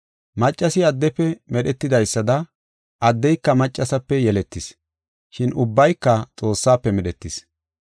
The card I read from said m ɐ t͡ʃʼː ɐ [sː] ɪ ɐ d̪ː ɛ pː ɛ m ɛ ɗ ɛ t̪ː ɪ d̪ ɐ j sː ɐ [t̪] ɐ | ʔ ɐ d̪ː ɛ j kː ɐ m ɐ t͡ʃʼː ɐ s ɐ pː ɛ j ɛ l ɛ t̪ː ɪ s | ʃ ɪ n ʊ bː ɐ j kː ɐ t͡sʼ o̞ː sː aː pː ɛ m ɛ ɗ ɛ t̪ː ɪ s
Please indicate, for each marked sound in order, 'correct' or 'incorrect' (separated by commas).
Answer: incorrect, incorrect